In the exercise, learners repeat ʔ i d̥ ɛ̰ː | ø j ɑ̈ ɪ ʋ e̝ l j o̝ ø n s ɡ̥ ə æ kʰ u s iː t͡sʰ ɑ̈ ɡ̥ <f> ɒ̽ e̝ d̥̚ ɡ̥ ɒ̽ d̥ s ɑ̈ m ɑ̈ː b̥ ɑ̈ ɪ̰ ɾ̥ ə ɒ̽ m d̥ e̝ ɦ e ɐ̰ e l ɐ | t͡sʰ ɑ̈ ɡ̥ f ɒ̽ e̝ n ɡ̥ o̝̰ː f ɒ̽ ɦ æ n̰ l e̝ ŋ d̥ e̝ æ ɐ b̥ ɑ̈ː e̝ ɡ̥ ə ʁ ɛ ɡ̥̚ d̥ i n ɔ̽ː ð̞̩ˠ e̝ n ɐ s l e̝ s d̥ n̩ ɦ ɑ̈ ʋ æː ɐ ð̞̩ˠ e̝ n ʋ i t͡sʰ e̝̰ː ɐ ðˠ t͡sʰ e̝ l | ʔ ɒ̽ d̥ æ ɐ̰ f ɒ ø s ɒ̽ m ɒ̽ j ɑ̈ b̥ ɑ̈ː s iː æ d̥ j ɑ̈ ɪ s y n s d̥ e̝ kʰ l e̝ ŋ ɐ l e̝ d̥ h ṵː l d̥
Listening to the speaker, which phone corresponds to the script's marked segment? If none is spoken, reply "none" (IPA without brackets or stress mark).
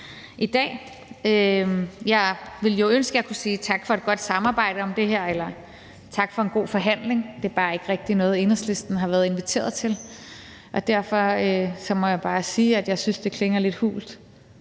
f